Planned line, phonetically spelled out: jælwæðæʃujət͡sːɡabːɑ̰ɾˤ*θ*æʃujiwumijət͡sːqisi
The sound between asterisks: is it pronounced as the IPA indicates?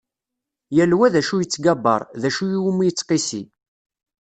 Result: no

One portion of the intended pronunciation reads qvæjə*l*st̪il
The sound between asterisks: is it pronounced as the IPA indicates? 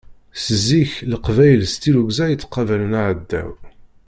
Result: yes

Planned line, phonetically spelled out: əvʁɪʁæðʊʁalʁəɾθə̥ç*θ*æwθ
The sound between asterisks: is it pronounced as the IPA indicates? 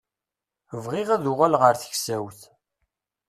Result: no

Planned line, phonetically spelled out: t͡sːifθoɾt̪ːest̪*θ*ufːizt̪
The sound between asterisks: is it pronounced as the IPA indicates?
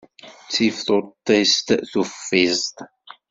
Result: yes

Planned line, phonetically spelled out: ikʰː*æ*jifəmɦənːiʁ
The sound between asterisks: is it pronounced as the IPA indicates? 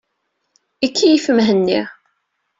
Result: no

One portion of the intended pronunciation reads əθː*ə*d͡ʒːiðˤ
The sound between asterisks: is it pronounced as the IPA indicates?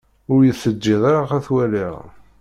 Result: yes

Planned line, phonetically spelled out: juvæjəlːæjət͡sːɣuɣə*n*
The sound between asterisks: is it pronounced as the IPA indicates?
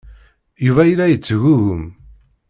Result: no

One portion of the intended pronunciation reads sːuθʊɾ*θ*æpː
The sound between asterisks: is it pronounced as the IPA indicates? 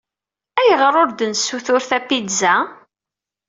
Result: yes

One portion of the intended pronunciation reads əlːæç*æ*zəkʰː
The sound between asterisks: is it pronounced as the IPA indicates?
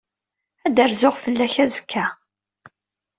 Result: yes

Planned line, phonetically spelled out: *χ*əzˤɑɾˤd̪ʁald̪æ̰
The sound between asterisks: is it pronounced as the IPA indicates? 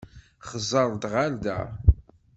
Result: yes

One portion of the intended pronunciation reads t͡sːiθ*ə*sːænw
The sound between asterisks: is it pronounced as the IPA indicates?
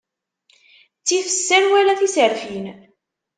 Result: yes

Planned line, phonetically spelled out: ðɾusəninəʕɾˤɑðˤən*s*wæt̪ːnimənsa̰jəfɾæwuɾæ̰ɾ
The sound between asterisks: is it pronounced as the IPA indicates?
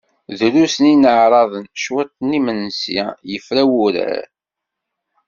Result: no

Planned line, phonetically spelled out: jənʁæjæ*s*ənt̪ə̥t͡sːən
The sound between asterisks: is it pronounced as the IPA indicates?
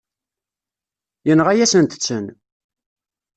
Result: yes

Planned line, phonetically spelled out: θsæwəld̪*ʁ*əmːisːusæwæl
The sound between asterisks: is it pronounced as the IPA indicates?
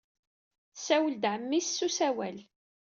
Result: no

